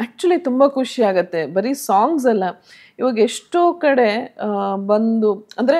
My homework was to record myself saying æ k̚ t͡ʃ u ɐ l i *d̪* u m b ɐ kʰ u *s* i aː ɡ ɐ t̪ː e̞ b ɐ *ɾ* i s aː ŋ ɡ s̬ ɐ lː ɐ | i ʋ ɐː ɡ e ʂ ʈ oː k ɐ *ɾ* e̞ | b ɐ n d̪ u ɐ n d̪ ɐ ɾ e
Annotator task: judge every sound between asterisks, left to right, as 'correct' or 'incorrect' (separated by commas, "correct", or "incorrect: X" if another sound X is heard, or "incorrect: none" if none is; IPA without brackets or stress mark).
incorrect: t̪, incorrect: ʂ, correct, incorrect: ɽ